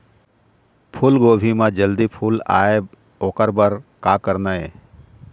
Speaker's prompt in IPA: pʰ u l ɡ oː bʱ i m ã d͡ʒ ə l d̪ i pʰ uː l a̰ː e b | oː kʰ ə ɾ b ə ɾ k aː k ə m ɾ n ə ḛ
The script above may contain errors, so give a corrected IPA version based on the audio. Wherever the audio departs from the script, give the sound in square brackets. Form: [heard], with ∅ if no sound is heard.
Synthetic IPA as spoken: pʰ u l ɡ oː bʱ i m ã d͡ʒ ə l d̪ i pʰ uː l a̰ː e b | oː [k] ə ɾ b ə ɾ k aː k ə [∅] ɾ n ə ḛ